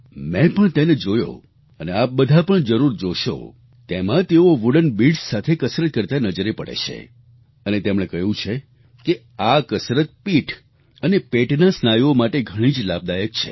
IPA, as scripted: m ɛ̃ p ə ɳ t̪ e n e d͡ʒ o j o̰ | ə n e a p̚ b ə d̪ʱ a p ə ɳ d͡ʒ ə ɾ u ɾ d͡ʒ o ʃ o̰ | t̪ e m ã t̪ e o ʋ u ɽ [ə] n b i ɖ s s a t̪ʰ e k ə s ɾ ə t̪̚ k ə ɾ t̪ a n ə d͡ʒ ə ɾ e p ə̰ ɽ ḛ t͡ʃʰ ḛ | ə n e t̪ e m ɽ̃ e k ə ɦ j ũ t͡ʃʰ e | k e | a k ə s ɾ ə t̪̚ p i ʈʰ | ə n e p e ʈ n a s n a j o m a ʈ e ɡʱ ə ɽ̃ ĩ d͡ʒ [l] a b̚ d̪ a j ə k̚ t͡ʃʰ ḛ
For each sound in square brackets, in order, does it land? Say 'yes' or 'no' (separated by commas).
yes, yes